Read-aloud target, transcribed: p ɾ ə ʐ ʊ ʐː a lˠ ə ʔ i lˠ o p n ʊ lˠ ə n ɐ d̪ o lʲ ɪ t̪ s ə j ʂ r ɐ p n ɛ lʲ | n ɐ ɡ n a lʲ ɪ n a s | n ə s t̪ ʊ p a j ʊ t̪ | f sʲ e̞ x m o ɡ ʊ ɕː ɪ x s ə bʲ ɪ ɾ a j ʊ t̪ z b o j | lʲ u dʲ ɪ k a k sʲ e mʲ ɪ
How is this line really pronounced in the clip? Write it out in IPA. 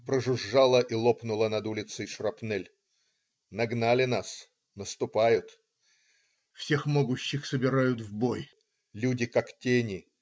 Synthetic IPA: p ɾ ə ʐ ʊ ʐː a lˠ ə ʔ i lˠ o p n ʊ lˠ ə n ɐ d̪ u lʲ ɪ t̪ s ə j ʂ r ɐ p n ɛ lʲ | n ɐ ɡ n a lʲ ɪ n a s | n ə s t̪ ʊ p a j ʊ t̪ | f sʲ e̞ x m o ɡ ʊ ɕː ɪ x s ə bʲ ɪ ɾ a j ʊ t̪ v b o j | lʲ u dʲ ɪ k a k tʲ e nʲ ɪ